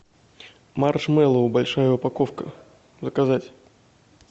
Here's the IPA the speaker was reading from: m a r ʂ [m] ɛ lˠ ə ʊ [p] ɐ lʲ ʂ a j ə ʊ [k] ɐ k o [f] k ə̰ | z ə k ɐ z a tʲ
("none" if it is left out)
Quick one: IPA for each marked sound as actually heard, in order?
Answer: m, b, p, f

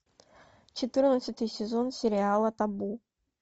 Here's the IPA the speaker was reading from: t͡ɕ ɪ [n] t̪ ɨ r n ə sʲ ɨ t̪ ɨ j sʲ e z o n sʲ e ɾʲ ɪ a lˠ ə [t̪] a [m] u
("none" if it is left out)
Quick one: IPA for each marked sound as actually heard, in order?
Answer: none, t̪, b

